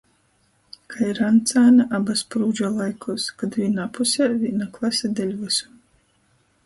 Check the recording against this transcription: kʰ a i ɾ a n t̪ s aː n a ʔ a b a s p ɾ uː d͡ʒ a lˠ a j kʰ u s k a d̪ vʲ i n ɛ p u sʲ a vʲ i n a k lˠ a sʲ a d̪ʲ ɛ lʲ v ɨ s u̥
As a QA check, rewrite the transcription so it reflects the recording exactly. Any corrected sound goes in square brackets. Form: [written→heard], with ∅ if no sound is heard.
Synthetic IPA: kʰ a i ɾ a n t̪ s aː n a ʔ a b a s p ɾ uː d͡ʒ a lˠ a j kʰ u s k a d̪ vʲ i n [ɛ→a] p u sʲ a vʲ i n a k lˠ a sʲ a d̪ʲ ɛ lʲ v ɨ s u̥

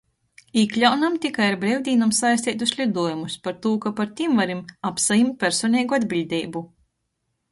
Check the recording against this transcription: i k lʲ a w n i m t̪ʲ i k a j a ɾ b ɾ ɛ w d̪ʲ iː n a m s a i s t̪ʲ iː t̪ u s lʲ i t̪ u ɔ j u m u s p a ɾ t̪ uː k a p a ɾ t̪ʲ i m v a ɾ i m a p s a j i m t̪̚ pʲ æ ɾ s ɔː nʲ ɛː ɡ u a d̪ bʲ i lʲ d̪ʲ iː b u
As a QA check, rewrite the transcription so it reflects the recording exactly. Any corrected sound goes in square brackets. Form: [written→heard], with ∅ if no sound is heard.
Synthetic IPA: i k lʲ a w n [i→a] m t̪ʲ i k a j a ɾ b ɾ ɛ w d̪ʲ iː n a m s a [i→j] s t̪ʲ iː t̪ u s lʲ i [t̪→d̪] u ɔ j u m u s p a ɾ t̪ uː k a p a ɾ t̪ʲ i m v a ɾ i m a p s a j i m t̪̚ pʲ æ ɾ s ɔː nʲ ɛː ɡ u a d̪ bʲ i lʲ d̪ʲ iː b u

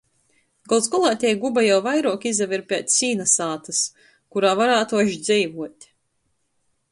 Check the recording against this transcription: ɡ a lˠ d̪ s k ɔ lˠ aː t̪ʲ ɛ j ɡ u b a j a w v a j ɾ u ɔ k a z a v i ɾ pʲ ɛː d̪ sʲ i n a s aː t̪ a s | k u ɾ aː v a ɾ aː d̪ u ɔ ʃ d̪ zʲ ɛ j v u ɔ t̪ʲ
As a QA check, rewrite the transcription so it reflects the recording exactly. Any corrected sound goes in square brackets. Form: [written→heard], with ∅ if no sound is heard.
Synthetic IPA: ɡ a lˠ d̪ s k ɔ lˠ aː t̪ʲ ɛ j ɡ u b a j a w v a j ɾ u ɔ k [a→i] z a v i ɾ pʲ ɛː [d̪→t̪] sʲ [i→iː] n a s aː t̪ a s | k u ɾ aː v a ɾ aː [d̪→t̪] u ɔ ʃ d̪ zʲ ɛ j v u ɔ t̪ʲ

